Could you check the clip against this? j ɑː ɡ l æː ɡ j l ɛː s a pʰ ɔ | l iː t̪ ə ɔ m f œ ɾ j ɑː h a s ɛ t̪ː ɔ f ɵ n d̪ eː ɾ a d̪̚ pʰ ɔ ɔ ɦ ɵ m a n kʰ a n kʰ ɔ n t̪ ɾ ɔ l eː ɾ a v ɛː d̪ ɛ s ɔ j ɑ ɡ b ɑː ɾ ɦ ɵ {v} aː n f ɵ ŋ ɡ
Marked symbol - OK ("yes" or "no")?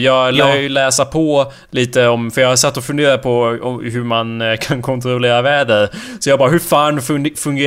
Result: no